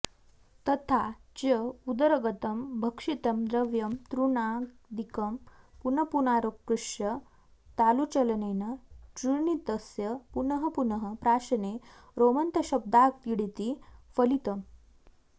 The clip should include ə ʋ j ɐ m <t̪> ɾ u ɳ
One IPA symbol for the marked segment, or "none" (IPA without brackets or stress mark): t̪